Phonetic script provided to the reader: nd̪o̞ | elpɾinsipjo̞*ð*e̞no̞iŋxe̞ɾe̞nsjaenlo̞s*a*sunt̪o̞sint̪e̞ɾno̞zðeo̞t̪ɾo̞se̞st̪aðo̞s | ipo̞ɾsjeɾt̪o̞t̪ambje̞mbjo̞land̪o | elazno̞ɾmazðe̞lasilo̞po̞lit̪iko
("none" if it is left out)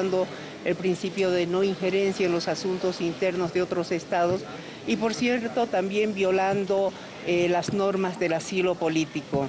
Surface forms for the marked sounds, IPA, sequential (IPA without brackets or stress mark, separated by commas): ð, a